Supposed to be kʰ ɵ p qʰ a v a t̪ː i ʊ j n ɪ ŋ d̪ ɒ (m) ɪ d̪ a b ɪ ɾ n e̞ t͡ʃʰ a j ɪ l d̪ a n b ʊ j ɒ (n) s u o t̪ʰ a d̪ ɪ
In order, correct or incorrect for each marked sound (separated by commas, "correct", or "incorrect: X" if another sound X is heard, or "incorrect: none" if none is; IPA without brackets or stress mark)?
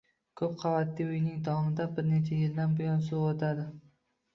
correct, correct